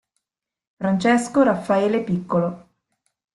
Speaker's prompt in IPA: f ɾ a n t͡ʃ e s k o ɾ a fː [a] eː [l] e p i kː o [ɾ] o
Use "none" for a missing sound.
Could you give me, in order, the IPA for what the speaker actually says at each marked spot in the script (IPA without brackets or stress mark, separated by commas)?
a, l, l